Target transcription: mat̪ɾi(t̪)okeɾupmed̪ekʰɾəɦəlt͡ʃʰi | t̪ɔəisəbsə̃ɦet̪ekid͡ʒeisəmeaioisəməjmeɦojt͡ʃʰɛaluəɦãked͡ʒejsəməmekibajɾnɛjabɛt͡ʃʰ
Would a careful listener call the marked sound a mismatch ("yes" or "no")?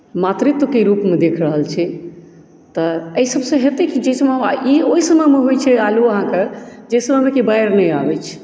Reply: no